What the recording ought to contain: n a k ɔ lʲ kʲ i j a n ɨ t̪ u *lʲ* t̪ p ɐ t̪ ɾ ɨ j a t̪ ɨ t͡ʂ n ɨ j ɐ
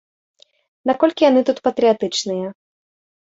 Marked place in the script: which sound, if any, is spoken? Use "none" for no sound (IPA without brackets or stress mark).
none